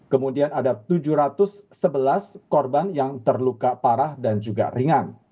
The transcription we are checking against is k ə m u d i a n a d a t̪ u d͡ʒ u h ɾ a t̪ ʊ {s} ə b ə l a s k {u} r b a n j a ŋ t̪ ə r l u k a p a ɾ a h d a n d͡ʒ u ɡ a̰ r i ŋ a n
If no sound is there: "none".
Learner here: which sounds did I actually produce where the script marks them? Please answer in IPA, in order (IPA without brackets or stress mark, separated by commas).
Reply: sː, ɔ